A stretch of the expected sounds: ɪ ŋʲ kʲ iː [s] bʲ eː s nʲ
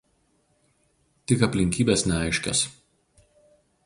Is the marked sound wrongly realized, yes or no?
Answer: yes